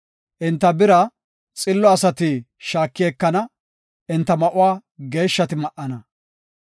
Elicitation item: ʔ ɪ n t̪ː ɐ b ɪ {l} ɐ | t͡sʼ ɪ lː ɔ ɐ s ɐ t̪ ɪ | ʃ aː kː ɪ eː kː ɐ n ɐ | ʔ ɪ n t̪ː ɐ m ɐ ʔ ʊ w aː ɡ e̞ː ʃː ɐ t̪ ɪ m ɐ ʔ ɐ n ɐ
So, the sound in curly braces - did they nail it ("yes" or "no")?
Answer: no